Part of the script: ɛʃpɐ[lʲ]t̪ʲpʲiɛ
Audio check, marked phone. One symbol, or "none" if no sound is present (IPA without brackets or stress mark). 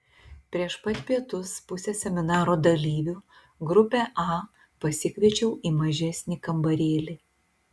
none